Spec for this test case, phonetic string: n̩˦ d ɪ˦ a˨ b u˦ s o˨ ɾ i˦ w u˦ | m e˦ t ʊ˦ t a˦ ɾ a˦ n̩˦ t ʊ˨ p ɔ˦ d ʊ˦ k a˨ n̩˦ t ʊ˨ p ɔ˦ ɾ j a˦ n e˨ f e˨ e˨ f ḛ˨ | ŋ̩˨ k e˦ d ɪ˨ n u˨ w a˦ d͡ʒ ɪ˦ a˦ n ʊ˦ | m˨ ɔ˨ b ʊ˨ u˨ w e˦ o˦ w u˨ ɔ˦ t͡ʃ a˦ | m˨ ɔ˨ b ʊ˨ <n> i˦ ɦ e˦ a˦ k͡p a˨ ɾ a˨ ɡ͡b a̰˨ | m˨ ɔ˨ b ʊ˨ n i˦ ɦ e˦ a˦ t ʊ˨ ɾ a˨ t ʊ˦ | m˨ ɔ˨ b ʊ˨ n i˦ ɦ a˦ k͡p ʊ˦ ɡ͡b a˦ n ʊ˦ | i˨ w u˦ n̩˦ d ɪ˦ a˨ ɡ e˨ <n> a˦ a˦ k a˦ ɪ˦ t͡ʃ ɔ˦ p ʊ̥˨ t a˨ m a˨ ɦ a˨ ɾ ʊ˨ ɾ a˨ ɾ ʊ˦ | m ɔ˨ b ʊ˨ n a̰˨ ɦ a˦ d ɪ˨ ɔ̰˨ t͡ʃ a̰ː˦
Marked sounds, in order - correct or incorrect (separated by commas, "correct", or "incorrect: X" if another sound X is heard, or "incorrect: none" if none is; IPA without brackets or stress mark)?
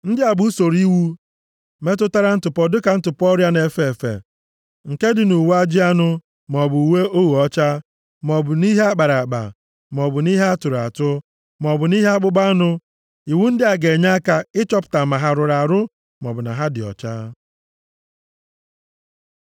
correct, incorrect: ɲ